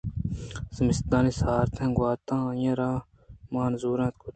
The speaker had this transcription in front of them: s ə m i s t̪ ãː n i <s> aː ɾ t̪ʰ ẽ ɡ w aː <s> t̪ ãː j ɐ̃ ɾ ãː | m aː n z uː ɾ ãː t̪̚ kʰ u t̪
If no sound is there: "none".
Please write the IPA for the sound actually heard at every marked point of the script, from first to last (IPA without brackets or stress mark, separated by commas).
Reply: s, none